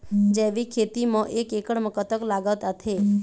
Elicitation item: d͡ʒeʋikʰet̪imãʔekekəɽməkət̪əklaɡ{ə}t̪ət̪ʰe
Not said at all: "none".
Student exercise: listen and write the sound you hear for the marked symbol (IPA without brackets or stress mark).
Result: ə